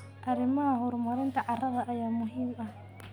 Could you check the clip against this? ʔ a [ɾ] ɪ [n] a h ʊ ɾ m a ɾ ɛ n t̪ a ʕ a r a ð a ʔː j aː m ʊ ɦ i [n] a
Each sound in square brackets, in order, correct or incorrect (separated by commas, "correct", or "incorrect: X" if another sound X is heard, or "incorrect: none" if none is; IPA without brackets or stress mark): correct, incorrect: m, incorrect: m